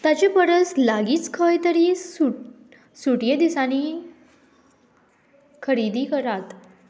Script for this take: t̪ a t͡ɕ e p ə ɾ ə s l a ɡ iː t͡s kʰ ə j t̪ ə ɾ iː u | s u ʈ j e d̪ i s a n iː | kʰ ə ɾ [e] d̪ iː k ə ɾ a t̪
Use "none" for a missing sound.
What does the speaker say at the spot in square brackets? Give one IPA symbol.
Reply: i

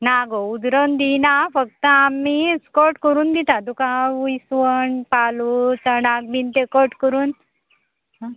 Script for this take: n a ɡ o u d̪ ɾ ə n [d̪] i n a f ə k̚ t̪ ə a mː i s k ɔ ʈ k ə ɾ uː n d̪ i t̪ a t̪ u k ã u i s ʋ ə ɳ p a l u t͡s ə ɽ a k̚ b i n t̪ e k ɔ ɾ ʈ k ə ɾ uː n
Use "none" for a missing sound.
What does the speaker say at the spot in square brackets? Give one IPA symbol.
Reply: d̪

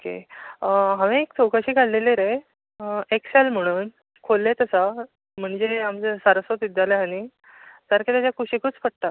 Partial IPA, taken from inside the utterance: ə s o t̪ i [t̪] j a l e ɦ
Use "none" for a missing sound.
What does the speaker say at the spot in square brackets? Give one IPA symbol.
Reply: d̪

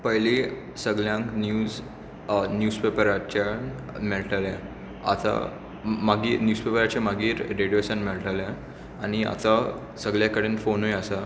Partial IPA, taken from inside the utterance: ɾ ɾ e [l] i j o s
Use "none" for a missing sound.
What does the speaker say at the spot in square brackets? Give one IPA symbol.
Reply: ɽ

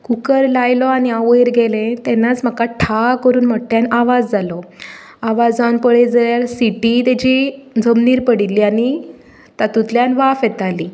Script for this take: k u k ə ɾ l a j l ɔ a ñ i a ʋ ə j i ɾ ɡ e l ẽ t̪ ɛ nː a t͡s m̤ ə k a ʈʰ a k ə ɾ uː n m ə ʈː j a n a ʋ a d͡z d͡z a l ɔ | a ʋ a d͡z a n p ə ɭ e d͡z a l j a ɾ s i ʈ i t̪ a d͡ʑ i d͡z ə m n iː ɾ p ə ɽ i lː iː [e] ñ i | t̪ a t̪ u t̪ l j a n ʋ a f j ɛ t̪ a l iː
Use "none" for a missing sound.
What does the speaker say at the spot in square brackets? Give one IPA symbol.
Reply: a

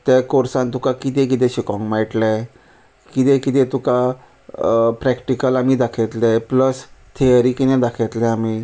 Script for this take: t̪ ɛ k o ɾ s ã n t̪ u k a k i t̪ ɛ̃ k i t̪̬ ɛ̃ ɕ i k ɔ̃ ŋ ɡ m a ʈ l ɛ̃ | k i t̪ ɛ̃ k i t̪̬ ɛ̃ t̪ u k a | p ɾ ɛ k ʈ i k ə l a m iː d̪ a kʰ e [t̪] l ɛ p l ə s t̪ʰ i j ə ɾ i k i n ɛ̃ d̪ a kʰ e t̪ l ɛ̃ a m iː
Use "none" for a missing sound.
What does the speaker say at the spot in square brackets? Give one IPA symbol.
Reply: t̪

